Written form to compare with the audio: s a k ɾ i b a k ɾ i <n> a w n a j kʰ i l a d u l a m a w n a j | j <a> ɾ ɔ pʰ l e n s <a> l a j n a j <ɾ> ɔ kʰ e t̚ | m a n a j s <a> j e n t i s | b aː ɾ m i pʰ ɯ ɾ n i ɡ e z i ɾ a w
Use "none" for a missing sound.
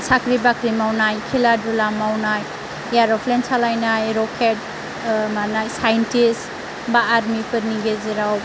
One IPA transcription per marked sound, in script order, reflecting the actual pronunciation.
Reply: m, a, a, ɾ, a

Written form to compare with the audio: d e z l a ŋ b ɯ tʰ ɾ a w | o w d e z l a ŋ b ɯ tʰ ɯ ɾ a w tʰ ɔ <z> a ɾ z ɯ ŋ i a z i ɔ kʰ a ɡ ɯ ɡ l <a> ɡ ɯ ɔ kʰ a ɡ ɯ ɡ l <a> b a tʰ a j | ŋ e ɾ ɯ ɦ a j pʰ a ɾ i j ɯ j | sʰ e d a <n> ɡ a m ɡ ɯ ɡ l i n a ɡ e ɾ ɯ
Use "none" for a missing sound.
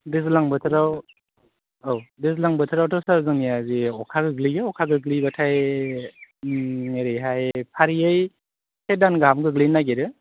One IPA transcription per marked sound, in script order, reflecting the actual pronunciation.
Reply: s, i, i, n

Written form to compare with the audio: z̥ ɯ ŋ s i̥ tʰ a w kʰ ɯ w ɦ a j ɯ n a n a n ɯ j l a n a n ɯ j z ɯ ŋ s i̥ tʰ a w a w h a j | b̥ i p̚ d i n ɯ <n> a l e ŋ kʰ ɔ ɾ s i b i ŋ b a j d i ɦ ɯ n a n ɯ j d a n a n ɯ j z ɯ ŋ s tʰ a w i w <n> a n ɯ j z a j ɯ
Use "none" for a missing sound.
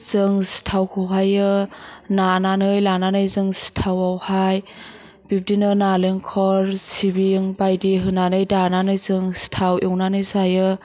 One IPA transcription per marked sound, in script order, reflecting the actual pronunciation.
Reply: n, n

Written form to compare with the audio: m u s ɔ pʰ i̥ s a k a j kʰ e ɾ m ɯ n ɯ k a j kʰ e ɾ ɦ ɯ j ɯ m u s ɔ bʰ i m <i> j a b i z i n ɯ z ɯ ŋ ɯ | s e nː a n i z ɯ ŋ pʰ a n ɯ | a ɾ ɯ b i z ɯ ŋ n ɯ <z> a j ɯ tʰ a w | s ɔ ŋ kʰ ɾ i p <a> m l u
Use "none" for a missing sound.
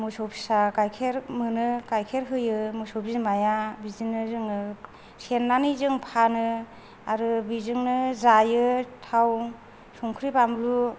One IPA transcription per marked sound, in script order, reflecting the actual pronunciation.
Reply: a, z, a

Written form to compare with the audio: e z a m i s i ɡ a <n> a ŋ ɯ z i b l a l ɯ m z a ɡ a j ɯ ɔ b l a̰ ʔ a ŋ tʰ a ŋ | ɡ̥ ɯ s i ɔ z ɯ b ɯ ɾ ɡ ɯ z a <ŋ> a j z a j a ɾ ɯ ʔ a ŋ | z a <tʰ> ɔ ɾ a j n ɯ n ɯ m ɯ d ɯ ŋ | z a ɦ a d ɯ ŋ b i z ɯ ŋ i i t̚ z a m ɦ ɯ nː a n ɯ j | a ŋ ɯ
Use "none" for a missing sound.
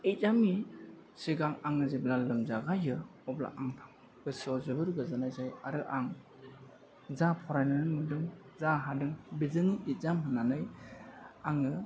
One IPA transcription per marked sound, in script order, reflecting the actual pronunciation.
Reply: ŋ, n, pʰ

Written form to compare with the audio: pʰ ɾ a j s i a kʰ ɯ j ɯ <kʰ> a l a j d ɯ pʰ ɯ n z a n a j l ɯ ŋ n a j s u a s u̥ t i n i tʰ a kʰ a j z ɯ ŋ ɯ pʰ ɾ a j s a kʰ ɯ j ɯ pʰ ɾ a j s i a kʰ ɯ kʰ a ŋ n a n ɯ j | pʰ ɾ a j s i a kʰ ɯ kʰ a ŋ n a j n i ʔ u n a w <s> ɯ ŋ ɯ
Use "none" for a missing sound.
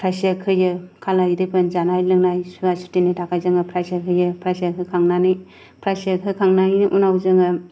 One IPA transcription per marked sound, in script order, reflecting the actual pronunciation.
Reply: kʰ, z

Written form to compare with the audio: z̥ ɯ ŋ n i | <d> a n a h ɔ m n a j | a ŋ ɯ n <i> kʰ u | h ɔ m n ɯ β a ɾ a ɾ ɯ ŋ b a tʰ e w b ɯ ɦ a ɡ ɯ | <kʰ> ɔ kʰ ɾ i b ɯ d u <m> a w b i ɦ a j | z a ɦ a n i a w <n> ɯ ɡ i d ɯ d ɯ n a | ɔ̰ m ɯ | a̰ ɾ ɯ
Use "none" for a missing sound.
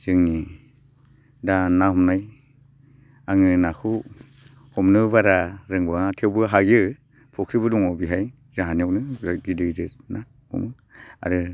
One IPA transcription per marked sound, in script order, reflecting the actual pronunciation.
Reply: d, a, pʰ, ŋ, n

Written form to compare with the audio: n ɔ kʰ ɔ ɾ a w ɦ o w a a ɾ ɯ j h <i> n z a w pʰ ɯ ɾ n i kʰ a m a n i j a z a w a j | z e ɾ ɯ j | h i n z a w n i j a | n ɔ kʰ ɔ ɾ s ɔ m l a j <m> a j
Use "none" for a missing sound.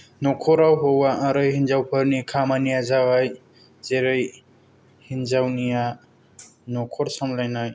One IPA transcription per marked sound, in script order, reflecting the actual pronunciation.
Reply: i, n

